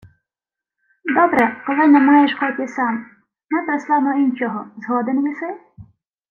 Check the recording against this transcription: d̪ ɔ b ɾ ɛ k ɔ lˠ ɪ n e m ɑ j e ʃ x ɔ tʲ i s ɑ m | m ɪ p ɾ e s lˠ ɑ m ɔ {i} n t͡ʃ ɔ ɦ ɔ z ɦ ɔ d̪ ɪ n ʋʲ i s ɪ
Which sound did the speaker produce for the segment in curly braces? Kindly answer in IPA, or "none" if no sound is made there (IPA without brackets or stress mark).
i